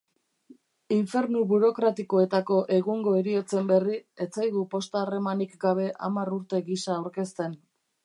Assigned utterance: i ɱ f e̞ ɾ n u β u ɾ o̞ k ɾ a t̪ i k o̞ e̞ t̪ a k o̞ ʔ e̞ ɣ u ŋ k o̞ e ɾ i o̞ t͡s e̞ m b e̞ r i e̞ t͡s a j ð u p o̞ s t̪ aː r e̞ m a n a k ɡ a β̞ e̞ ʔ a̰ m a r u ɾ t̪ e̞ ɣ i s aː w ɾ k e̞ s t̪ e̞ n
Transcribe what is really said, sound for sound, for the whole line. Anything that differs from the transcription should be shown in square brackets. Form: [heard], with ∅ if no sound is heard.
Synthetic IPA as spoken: i ɱ f e̞ ɾ n u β u ɾ o̞ k ɾ a t̪ i k o̞ e̞ t̪ a k o̞ ʔ e̞ ɣ u ŋ [ɡ] o̞ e ɾ i o̞ t͡s e̞ m b e̞ r i e̞ t͡s a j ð u p o̞ s t̪ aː r e̞ m a n [i] k ɡ a β̞ e̞ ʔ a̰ m a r u ɾ t̪ e̞ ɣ i s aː w ɾ k e̞ s t̪ e̞ n